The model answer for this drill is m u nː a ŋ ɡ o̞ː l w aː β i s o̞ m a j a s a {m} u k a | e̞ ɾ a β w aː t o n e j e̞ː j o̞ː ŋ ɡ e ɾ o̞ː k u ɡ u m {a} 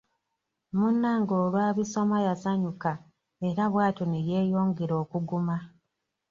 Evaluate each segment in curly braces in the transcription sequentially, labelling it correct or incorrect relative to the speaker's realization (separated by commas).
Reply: incorrect, correct